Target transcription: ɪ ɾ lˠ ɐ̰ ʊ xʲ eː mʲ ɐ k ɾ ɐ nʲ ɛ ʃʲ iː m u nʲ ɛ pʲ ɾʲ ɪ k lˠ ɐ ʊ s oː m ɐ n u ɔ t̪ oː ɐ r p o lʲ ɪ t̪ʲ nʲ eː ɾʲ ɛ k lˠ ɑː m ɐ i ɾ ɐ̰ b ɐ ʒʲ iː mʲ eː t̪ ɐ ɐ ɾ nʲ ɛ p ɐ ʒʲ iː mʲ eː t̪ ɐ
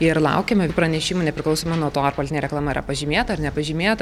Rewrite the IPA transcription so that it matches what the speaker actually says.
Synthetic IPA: ɪ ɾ lˠ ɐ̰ ʊ kʲ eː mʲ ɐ p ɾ ɐ nʲ ɛ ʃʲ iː m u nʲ ɛ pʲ ɾʲ ɪ k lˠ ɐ ʊ s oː m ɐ n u ɔ t̪ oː ɐ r p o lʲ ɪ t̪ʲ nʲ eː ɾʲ ɛ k lˠ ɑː m ɐ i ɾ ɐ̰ p ɐ ʒʲ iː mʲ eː t̪ ɐ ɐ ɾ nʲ ɛ p ɐ ʒʲ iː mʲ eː t̪ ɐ